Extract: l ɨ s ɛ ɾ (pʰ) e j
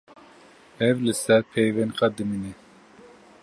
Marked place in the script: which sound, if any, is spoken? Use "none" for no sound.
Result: pʰ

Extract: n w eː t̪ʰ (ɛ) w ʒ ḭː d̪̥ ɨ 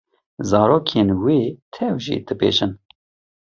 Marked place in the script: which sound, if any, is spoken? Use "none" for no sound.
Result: ɛ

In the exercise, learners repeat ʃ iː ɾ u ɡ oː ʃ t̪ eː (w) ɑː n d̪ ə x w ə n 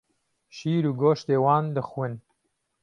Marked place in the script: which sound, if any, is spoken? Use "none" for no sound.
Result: w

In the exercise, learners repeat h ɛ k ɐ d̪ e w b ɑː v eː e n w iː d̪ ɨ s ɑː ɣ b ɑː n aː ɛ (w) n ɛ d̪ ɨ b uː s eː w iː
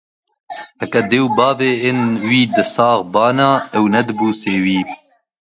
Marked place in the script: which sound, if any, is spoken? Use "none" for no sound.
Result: w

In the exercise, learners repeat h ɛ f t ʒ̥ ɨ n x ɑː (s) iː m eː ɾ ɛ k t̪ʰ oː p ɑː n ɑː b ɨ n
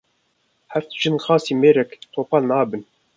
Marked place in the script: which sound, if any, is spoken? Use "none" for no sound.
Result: s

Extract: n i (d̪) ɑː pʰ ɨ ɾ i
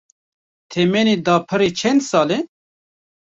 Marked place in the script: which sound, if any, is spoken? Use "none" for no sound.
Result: d̪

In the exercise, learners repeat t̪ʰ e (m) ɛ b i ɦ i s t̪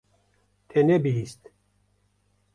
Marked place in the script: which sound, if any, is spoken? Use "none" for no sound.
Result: n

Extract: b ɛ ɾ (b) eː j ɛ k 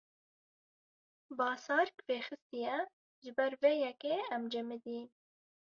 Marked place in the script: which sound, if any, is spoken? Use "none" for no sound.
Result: v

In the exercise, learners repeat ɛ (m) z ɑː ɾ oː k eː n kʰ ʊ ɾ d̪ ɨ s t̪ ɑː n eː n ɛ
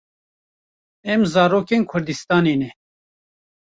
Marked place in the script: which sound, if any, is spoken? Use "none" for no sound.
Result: m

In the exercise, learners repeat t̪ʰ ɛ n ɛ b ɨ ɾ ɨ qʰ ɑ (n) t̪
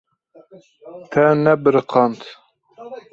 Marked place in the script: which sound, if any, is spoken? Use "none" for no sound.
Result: n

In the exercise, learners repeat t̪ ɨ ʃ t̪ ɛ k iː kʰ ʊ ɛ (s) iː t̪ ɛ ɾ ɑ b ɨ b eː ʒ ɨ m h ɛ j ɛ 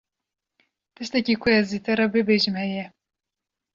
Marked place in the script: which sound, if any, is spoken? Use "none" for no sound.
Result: z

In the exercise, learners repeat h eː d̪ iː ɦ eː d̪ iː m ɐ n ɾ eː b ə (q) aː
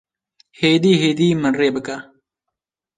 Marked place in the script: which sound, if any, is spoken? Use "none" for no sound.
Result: k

